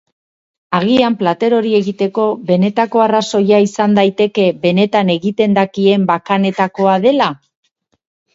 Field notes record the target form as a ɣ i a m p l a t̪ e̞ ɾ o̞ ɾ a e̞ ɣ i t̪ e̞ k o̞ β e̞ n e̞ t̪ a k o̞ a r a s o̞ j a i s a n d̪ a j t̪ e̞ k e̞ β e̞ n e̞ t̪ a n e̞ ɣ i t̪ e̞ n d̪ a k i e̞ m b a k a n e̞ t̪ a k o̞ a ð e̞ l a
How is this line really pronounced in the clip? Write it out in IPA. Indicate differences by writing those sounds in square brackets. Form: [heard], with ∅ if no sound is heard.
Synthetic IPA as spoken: a ɣ i a m p l a t̪ e̞ ɾ o̞ ɾ [i] e̞ ɣ i t̪ e̞ k o̞ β e̞ n e̞ t̪ a k o̞ a r a s o̞ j a i s a n d̪ a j t̪ e̞ k e̞ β e̞ n e̞ t̪ a n e̞ ɣ i t̪ e̞ n d̪ a k i e̞ m b a k a n e̞ t̪ a k o̞ a ð e̞ l a